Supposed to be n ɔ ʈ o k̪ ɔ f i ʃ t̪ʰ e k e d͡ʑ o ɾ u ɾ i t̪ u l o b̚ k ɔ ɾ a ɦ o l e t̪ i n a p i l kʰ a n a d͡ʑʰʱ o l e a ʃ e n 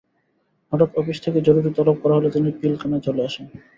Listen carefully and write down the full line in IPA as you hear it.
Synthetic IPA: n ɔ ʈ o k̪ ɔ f i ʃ t̪ʰ e k e d͡ʑ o ɾ u ɾ i t̪ ɔ l o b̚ k ɔ ɾ a ɦ o l e t̪ i n i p i l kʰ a n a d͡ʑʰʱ o l e a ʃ e n

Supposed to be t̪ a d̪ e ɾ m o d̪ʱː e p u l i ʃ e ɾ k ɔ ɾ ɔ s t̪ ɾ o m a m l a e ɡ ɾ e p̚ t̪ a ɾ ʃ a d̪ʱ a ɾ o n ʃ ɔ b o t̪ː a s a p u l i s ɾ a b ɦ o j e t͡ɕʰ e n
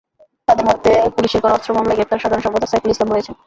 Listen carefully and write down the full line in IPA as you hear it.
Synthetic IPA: t̪ a d̪ e ɾ m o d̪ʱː e p u l i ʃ e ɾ k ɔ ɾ ɔ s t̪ ɾ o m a m l a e ɡ ɾ e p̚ t̪ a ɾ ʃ a d̪ʱ a ɾ o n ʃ ɔ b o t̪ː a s a p u l i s l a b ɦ o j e t͡ɕʰ e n

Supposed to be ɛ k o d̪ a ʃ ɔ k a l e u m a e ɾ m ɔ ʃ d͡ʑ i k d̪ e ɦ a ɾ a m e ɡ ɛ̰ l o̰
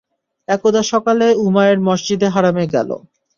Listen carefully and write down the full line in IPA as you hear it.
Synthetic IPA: ɛ k o d̪ a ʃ ɔ k a l e u m a e ɾ m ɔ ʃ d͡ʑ i d̪ e ɦ a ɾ a m e ɡ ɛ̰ l o̰

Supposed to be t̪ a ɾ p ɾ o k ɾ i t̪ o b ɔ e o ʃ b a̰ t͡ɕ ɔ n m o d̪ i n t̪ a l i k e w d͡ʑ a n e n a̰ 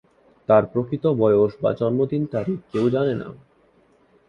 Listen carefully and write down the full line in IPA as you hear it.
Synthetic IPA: t̪ a ɾ p ɾ o k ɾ i t̪ o b ɔ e o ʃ b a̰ t͡ɕ ɔ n m o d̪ i n t̪ a ɾ i k e w d͡ʑ a n e n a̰

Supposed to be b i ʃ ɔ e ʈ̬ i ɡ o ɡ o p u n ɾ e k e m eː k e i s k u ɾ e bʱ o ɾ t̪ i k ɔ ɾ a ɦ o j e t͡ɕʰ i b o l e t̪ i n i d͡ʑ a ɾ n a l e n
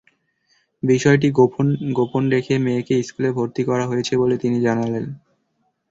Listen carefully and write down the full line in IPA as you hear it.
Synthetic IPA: b i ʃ ɔ e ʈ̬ i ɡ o ɡ o p o n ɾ e kʰ e m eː k e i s k u l e bʱ o ɾ t̪ i k ɔ ɾ a ɦ o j e t͡ɕʰ e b o l e t̪ i n i d͡ʑ a n a l e n

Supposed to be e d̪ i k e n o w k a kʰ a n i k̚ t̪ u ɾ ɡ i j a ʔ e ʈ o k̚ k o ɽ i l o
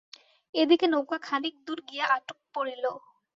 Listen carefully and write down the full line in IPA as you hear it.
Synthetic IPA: e d̪ i k e n o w k a kʰ a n i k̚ d̪ u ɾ ɡ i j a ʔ a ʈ o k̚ p o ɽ i l o

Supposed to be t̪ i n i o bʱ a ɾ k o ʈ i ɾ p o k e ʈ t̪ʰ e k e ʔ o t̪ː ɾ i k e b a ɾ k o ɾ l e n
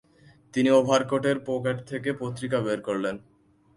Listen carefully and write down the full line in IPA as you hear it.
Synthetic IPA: t̪ i n i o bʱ a ɾ k o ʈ e ɾ p o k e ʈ t̪ʰ e k e p o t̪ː ɾ i k a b e ɾ k o ɾ l e n

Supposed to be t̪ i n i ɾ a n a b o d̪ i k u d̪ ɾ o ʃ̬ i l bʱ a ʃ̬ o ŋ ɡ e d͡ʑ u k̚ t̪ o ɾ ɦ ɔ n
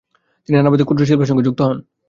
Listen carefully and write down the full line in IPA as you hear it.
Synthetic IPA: t̪ i n i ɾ a n a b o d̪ i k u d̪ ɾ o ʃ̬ i l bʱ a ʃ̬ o ŋ ɡ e d͡ʑ u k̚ t̪ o ɦ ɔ n

